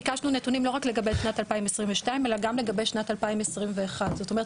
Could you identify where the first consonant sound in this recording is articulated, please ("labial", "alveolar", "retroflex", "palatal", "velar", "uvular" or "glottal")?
velar